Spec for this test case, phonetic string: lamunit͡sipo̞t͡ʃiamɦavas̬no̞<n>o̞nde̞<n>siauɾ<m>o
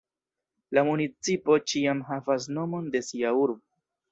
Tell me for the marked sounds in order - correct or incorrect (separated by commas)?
incorrect, incorrect, incorrect